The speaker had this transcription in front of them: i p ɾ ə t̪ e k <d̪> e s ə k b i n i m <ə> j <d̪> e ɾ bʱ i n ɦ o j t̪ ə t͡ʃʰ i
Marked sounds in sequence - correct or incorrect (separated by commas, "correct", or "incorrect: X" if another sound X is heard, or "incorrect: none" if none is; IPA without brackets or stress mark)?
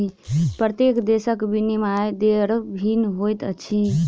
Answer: correct, incorrect: a, correct